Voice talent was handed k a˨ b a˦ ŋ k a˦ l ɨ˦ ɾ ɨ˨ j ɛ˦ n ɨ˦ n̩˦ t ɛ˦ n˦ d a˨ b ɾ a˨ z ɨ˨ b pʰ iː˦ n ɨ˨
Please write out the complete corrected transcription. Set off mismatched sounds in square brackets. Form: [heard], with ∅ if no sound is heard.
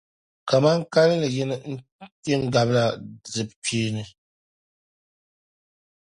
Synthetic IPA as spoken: k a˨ [m] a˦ ŋ k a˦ l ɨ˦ [l] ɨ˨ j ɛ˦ n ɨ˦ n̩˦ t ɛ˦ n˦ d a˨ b [l] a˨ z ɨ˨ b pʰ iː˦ n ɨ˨